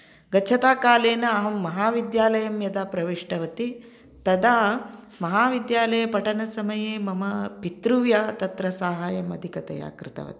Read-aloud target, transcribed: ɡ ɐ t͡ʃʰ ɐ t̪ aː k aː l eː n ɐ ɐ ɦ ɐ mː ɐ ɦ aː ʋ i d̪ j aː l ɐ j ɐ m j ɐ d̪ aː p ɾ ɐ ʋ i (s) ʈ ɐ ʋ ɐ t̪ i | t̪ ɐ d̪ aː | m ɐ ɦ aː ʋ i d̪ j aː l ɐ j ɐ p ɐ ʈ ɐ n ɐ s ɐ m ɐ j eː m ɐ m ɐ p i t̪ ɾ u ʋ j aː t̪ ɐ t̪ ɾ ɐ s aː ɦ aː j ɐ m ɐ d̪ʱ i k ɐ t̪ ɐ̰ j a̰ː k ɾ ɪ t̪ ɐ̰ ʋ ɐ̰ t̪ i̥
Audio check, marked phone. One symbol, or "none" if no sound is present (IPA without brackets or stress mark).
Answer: ʂ